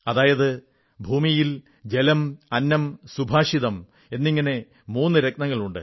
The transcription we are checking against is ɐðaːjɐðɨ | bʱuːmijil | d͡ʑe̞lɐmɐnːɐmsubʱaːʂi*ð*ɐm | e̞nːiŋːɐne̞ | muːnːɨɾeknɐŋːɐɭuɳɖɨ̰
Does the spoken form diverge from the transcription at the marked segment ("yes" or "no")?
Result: no